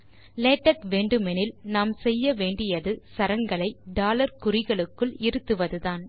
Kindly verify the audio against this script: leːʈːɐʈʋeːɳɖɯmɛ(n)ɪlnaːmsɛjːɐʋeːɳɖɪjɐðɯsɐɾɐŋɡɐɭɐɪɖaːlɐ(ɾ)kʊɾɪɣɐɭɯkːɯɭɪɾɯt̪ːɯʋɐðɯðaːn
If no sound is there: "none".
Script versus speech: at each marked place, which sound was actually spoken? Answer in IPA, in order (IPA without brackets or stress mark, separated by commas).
n, ɾ